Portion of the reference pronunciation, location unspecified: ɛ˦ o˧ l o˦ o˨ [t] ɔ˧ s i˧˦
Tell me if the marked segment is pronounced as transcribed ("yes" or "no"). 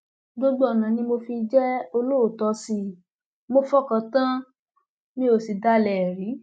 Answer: yes